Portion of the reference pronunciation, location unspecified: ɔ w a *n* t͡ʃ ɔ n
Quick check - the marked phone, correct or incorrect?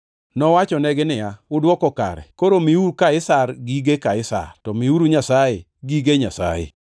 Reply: incorrect